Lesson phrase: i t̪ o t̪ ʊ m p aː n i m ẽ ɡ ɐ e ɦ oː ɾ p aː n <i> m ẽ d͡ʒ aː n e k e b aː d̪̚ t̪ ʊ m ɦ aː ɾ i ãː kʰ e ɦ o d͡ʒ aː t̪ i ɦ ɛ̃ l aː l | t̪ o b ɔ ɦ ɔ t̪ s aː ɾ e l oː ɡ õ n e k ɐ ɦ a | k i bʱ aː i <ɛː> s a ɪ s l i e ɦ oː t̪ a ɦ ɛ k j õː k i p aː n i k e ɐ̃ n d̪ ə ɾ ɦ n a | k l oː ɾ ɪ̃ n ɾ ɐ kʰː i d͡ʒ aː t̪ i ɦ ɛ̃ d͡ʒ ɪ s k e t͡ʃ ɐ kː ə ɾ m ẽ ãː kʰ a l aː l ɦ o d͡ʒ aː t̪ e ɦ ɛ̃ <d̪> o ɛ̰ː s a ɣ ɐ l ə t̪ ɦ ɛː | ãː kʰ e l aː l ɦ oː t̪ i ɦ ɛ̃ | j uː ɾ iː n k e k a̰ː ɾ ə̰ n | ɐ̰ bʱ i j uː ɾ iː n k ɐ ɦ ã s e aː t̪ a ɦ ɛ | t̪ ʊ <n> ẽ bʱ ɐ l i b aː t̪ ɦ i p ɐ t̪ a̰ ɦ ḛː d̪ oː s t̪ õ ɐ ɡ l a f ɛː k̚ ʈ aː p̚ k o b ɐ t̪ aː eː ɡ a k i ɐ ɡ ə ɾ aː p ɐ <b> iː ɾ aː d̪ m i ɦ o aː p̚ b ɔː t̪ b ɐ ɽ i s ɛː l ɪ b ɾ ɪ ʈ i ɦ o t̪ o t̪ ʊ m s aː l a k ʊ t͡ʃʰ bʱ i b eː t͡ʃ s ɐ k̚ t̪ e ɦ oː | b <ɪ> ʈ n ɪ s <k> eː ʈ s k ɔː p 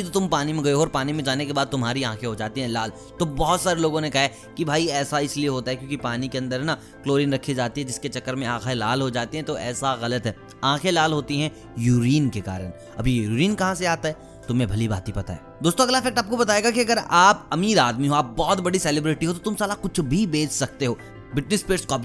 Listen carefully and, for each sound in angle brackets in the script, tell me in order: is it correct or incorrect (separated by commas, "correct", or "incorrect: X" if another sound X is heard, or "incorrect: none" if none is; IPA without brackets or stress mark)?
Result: correct, correct, incorrect: t̪, incorrect: m, incorrect: m, correct, incorrect: p